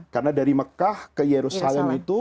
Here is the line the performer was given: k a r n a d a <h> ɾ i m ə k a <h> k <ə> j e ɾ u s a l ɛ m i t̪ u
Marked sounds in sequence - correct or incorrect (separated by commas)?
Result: incorrect, correct, correct